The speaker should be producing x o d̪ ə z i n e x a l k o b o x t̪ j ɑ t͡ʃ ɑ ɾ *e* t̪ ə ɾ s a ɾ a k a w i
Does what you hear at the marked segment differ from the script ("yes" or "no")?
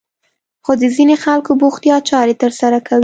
no